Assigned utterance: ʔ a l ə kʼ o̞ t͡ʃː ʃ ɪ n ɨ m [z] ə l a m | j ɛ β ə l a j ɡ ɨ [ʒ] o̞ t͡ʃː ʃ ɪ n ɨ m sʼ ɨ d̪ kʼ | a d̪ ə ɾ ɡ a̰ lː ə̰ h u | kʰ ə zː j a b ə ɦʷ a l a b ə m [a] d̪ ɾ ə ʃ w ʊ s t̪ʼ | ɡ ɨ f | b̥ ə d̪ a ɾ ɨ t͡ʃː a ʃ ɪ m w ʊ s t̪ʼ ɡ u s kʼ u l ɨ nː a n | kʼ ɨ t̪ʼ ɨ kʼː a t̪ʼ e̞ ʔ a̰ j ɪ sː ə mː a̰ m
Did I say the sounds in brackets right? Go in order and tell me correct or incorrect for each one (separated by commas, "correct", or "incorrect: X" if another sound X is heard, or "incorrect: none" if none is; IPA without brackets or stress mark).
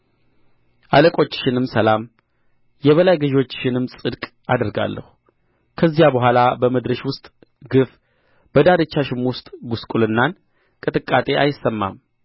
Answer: incorrect: s, correct, incorrect: ə